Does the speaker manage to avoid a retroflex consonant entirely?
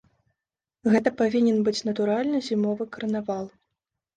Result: yes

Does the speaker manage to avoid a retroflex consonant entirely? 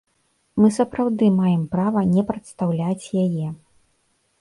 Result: yes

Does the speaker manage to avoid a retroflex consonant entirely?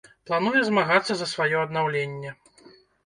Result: yes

